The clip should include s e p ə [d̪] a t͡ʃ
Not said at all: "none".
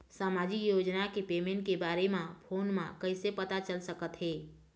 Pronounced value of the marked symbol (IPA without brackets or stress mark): t̪